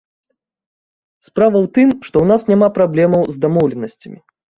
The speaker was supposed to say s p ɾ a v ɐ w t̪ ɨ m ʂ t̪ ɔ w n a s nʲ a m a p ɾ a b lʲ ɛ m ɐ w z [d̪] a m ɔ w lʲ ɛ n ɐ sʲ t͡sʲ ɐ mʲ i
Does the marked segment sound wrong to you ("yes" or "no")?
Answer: no